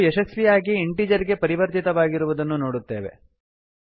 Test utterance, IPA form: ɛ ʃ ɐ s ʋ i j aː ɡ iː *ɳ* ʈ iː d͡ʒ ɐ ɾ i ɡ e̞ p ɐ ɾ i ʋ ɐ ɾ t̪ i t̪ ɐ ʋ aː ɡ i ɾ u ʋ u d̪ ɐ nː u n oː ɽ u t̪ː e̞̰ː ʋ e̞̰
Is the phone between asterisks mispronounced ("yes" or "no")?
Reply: no